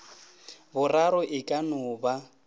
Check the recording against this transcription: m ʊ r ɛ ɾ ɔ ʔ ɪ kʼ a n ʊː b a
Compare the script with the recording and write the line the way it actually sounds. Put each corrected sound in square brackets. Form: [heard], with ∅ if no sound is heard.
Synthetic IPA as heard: [b] ʊ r [a] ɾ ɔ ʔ ɪ kʼ a n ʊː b a